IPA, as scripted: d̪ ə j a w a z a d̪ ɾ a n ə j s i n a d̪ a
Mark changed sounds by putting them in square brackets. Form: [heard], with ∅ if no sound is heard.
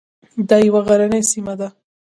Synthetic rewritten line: d̪ [ɑ] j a w a [ɣ] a [∅] ɾ a n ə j s i [m] a d̪ a